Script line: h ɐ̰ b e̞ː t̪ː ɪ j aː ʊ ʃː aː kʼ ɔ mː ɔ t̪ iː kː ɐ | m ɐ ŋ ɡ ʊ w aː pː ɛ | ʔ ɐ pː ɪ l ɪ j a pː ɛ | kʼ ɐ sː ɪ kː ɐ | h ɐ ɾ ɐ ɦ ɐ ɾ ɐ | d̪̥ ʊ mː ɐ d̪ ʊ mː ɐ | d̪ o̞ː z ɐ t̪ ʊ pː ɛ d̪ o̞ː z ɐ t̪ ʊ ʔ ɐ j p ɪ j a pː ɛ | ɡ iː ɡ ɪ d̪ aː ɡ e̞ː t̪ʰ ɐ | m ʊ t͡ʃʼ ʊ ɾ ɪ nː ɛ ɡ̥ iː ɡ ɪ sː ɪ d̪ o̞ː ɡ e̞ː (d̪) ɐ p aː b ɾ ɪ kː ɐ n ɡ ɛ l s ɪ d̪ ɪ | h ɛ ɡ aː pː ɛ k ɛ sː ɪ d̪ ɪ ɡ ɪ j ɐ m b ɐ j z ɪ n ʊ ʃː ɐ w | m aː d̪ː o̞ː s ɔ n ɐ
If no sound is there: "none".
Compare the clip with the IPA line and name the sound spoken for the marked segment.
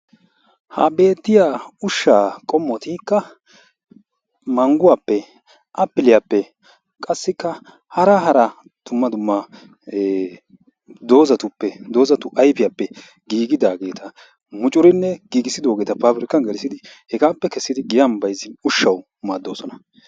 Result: t̪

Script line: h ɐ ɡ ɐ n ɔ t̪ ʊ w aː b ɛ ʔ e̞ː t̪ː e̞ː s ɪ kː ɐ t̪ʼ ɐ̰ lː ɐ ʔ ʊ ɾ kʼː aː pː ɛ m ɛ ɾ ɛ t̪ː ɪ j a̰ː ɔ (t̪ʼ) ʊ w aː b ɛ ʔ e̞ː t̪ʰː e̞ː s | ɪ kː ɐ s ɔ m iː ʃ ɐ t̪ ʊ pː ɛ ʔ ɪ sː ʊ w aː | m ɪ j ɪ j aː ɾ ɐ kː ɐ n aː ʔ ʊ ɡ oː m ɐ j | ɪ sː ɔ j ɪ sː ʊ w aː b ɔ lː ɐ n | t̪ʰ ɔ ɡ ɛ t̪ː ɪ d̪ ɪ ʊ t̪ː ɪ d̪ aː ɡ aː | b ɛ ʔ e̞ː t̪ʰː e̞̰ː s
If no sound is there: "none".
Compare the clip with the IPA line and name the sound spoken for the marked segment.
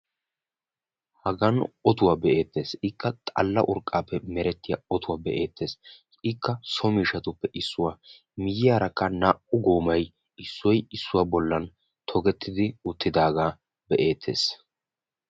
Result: t̪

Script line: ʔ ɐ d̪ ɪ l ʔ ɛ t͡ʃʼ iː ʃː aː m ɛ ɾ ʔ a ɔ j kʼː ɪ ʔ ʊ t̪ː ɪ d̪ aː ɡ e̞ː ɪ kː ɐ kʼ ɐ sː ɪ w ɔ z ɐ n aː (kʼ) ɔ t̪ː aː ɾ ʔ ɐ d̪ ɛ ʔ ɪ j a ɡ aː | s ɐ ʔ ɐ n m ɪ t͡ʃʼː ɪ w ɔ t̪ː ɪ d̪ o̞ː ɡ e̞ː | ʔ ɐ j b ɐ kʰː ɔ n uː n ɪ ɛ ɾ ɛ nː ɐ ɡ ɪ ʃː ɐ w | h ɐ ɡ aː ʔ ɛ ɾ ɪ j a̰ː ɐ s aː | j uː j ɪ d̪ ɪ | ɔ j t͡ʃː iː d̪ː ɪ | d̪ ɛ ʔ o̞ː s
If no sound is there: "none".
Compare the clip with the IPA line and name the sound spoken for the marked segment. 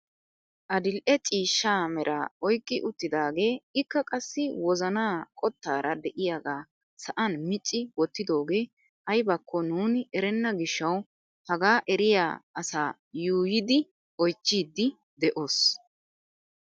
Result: kʼ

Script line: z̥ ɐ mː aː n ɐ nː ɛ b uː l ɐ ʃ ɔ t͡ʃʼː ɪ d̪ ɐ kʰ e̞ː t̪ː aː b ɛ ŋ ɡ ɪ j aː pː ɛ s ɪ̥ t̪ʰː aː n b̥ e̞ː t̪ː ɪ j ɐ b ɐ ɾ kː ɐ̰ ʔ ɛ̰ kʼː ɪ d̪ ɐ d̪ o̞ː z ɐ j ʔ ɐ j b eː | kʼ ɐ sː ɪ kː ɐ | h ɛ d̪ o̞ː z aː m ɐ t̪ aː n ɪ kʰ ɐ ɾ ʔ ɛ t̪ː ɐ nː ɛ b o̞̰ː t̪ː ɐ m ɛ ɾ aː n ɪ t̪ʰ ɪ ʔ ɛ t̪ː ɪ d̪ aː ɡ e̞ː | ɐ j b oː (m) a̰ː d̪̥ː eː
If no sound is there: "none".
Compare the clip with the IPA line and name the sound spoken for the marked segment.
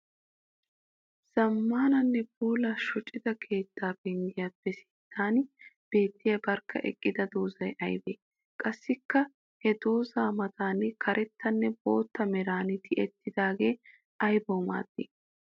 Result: m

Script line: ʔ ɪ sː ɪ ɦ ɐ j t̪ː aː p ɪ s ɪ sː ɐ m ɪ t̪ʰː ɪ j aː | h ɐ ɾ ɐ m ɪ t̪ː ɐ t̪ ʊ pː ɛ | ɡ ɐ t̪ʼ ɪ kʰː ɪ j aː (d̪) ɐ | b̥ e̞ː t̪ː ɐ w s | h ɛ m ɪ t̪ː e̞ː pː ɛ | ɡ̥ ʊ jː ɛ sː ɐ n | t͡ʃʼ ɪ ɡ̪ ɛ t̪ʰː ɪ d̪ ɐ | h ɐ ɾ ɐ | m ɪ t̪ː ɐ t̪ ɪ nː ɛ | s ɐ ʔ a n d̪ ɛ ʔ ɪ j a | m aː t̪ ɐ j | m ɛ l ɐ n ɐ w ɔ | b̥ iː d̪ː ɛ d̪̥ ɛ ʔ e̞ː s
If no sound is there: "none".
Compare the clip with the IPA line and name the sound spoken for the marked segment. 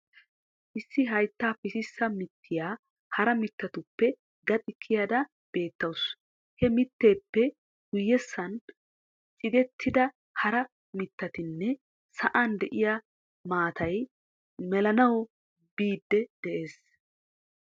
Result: d̪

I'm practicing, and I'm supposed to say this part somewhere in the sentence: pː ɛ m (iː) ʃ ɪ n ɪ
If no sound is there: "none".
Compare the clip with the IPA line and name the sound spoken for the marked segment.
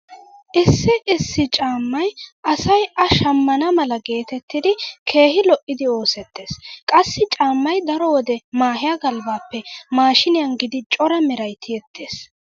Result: aː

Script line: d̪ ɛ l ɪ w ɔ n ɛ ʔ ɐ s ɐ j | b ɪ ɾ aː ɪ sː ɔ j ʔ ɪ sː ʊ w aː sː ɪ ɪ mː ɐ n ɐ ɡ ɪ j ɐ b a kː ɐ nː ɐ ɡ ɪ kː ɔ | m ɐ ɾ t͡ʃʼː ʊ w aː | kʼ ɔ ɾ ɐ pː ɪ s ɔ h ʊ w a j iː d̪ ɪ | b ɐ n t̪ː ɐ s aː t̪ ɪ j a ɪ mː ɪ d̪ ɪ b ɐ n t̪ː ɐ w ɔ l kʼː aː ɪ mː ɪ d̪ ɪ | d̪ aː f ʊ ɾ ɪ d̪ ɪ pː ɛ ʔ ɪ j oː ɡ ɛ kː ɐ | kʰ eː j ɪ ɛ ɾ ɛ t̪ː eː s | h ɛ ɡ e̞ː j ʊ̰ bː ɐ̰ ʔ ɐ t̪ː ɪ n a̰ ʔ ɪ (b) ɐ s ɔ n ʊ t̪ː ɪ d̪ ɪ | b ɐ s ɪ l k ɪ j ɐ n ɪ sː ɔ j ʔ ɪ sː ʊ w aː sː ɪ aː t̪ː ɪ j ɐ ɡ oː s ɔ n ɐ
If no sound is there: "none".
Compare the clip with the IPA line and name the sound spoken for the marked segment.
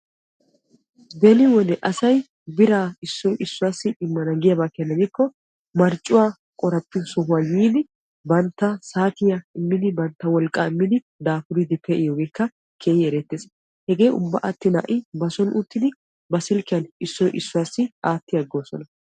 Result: b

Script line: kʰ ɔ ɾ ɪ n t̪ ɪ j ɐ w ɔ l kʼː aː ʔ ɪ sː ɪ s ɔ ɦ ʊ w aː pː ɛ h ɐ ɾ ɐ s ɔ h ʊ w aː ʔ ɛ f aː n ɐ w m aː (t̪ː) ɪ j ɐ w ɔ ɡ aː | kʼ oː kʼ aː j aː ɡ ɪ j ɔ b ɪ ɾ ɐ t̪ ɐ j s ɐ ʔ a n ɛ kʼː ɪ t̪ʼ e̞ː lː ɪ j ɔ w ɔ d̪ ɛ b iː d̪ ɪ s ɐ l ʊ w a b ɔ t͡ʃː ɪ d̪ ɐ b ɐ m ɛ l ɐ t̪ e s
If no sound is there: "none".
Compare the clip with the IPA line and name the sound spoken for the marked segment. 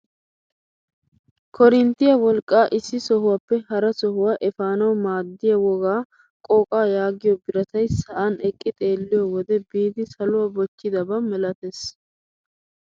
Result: d̪ː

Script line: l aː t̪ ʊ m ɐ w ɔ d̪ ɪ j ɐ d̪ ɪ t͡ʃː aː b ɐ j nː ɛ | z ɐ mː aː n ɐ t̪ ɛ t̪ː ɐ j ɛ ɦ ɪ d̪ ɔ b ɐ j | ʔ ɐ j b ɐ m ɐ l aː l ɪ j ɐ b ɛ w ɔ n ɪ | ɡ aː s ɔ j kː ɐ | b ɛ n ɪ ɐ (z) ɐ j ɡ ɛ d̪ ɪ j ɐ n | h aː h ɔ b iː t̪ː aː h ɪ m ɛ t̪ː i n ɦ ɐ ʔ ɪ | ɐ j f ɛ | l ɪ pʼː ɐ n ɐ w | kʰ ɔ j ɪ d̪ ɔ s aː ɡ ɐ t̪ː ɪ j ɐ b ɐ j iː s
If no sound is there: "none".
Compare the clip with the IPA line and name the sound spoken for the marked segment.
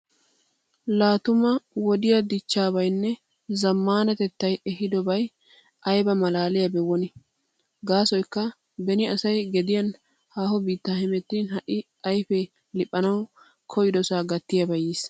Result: s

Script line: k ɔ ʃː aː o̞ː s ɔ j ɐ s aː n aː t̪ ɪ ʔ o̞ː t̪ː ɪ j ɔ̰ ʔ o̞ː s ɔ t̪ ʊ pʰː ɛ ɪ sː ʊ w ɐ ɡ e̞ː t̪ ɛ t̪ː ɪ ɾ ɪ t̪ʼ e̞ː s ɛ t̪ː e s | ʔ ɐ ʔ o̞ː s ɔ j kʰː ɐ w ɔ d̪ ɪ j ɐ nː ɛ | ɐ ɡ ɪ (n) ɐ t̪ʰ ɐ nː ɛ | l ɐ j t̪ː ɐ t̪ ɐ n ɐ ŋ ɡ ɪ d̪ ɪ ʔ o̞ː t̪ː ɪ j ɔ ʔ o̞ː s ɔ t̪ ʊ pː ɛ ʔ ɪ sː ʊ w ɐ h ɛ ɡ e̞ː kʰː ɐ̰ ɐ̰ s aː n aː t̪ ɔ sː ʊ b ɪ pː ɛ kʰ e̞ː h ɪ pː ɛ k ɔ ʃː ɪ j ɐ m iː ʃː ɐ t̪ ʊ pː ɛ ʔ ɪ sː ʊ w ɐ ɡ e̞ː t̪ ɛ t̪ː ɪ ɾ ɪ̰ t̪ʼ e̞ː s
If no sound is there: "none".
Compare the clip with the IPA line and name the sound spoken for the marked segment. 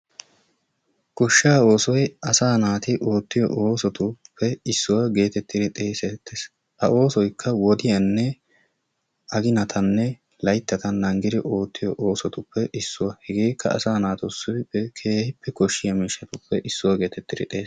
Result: n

